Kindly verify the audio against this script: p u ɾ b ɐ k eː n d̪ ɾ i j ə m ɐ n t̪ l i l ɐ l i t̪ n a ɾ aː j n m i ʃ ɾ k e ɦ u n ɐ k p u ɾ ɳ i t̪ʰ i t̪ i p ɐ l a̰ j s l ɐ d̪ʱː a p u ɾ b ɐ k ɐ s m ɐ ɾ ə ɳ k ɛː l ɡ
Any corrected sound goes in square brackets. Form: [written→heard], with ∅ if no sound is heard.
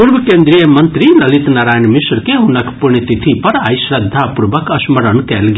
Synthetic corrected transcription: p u ɾ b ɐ k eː n d̪ ɾ i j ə m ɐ n t̪ [l→ɾ] i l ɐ l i t̪ n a ɾ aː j n m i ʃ ɾ k e ɦ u n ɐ k p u ɾ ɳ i [t̪ʰ→t̪] i [t̪→t̪ʰ] i p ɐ [l→ɾ] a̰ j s [l→ɾ] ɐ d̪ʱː a p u ɾ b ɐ k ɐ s m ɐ ɾ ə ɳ k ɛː l ɡ